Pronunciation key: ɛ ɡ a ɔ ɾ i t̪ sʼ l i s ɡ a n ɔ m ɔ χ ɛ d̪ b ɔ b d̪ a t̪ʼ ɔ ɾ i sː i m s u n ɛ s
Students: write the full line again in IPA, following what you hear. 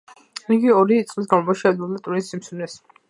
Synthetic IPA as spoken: i ɡ i ɔ ɾ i t̪ sʼ l i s ɡ a m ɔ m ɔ ʃ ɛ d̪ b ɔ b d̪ a t̪ʼ u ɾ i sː i m s u n ɛ s